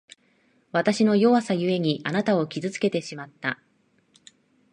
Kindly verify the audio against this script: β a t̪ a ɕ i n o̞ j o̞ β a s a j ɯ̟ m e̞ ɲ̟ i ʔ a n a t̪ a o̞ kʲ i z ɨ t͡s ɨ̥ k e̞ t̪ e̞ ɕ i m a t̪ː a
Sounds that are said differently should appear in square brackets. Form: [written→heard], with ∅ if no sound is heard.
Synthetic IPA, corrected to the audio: β a t̪ a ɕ i n o̞ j o̞ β a s a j ɯ̟ [m→∅] e̞ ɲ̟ i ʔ a n a t̪ a o̞ kʲ i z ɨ t͡s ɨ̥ k e̞ t̪ e̞ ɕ i m a t̪ː a